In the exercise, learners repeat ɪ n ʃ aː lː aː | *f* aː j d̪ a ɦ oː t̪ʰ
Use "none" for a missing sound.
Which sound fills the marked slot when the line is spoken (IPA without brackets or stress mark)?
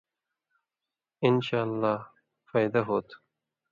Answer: f